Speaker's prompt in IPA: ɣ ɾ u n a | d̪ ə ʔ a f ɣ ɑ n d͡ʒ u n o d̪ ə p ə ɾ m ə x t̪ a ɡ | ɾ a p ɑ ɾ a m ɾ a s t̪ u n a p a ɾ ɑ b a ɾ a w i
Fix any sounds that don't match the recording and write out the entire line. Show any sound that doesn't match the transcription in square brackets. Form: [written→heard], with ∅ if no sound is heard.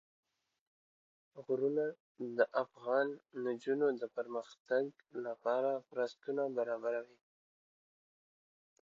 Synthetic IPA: ɣ ɾ u n a | d̪ ə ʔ a f ɣ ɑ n d͡ʒ u n o d̪ ə p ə ɾ m ə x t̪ a ɡ | [ɾ→l] a p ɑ ɾ a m ɾ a s t̪ u n a [p→b] a ɾ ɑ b a ɾ a w i